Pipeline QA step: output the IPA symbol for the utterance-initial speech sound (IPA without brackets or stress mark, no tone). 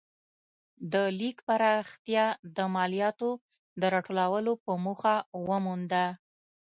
d̪